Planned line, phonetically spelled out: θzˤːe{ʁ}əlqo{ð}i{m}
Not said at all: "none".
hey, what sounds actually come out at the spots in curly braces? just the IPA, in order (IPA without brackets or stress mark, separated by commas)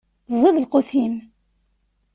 ð, θ, m